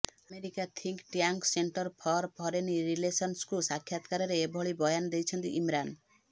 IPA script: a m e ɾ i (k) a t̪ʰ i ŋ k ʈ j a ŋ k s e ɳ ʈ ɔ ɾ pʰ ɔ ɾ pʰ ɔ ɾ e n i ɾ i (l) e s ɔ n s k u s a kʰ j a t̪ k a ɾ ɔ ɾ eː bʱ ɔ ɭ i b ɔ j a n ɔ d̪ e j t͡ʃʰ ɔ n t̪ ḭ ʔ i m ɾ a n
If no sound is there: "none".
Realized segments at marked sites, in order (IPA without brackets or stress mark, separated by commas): k, l